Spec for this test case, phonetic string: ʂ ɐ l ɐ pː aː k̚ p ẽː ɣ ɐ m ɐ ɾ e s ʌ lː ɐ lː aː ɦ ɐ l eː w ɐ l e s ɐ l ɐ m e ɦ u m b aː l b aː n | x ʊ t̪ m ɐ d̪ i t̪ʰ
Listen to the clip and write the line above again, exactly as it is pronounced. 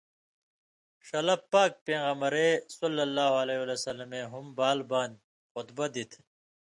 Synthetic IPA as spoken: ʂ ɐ l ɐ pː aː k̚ p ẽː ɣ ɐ m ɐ ɾ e s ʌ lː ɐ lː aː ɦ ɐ l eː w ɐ l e s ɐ l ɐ m e ɦ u m b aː l b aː n | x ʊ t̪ b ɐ d̪ i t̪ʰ